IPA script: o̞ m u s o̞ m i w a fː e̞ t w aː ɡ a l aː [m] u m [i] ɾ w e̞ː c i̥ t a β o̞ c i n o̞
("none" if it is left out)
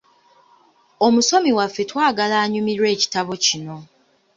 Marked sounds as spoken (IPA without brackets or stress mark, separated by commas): ɲ, i